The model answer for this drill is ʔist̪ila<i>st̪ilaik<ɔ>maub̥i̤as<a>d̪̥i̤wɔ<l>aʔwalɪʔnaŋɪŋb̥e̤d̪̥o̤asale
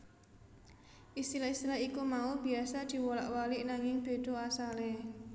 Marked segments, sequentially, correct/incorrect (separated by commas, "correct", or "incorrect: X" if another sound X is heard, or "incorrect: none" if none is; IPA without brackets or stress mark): correct, incorrect: u, correct, correct